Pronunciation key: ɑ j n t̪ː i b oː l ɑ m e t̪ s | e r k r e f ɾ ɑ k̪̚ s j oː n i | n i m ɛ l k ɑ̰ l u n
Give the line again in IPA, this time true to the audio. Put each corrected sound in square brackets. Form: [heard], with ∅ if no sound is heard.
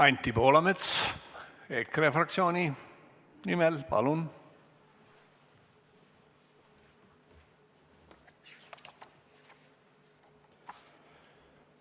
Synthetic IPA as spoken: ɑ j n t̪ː i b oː l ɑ m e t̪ s | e [∅] k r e f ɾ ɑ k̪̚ s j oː n i | n i m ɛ l [p] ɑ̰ l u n